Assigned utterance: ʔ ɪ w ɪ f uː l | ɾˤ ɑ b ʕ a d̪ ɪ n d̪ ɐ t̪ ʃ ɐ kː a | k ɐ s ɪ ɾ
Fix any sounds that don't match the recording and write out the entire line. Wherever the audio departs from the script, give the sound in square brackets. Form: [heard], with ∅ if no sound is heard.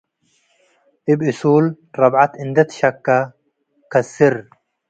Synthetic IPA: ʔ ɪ [b] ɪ [s] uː l | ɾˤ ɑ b ʕ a [t̪] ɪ n d̪ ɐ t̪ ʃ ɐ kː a | k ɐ s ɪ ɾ